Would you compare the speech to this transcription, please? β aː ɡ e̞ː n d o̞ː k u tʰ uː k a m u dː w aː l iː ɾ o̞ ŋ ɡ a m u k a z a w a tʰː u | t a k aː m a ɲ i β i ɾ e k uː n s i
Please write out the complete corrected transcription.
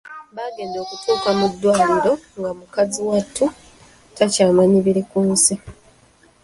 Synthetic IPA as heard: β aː ɡ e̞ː n d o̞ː k u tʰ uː k a m u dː w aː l i ɾ o̞ ŋ ɡ a m u k a z i w a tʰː u | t a c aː m a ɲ i β i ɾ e k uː n s i